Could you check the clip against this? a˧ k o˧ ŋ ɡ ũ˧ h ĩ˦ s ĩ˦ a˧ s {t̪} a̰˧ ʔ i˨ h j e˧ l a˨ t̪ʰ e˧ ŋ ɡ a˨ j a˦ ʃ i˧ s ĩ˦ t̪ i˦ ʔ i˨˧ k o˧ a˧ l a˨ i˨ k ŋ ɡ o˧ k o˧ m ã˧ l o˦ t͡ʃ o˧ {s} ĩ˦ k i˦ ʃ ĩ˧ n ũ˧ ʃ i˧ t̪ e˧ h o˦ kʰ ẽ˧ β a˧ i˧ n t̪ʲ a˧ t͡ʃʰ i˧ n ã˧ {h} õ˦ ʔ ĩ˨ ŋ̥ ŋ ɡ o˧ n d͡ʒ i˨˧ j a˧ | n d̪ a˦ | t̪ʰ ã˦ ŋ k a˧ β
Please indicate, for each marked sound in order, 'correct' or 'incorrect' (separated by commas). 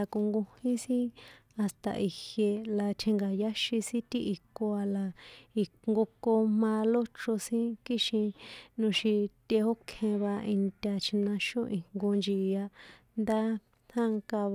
correct, correct, incorrect